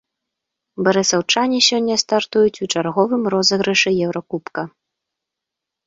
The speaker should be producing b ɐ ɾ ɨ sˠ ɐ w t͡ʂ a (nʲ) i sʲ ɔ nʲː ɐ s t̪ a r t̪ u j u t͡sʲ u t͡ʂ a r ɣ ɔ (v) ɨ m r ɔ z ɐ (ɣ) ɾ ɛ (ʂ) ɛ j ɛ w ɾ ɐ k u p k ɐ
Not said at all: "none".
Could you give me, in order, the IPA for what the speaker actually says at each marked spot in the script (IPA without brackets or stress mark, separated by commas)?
nʲ, v, ɣ, ʂ